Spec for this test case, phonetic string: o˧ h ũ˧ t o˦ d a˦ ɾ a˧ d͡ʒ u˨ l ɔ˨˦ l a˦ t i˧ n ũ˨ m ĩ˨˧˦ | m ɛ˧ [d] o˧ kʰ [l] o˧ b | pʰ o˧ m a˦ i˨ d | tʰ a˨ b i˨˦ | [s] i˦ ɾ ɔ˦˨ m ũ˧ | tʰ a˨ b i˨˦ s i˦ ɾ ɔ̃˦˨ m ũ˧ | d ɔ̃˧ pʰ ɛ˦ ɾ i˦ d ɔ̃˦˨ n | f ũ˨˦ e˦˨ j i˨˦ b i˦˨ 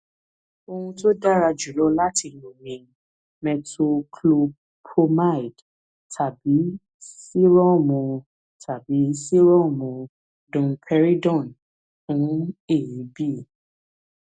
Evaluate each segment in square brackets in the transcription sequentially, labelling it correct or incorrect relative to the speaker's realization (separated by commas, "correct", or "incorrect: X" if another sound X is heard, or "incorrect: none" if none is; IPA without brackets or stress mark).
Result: incorrect: t, correct, correct